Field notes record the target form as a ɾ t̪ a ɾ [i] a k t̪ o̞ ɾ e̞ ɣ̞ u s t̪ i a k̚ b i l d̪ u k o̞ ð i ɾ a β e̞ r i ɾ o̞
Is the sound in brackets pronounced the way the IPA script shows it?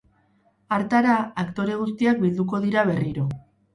no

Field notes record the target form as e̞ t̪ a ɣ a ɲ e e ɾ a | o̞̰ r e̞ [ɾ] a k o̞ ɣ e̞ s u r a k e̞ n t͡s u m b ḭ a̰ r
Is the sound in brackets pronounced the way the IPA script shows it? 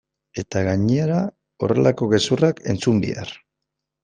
no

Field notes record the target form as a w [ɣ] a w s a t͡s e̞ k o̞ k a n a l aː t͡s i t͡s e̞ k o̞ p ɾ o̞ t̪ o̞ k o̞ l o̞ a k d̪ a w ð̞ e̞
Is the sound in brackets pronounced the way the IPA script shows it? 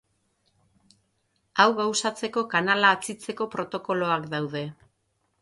yes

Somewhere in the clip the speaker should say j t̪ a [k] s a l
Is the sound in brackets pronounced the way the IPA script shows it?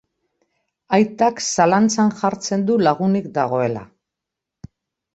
yes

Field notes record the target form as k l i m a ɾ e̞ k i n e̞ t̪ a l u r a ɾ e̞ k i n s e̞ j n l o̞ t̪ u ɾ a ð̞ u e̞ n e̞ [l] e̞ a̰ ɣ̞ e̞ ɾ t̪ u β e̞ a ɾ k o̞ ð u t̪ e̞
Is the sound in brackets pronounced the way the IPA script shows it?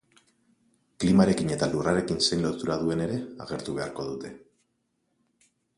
no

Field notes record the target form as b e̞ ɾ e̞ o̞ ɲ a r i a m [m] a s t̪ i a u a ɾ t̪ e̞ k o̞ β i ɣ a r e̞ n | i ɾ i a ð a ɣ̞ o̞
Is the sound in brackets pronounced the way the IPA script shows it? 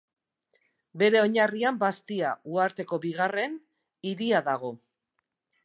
no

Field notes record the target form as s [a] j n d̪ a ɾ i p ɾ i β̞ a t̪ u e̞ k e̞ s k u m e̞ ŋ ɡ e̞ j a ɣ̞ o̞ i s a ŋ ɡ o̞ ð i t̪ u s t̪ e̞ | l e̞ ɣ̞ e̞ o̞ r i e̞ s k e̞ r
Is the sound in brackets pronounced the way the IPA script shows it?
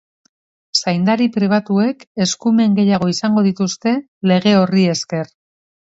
yes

